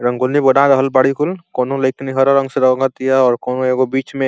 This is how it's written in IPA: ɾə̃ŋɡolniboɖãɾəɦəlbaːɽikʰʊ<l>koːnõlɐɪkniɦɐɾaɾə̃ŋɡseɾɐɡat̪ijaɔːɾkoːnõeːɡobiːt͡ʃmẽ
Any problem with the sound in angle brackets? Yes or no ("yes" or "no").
no